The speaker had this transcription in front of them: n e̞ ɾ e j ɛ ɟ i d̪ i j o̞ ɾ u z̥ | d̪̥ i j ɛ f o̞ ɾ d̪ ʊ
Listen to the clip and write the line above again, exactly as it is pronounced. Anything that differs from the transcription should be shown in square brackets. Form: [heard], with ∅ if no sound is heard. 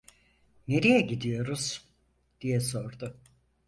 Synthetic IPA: n e̞ ɾ [i] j ɛ ɟ i d̪ i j o̞ ɾ u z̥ | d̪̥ i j ɛ [s] o̞ ɾ d̪ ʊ